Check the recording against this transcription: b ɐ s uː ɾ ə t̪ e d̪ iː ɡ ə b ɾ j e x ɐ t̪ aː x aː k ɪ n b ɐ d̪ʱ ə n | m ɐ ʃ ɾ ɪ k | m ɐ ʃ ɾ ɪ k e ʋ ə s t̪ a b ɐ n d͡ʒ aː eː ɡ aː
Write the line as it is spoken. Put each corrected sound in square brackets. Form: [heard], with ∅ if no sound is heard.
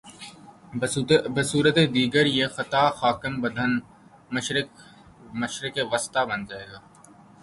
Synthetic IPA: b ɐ s uː ɾ ə t̪ e d̪ iː ɡ ə [∅] ɾ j e x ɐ t̪ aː x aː k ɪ [m] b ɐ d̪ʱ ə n | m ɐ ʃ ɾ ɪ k | m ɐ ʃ ɾ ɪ k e ʋ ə s t̪ a b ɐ n d͡ʒ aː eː ɡ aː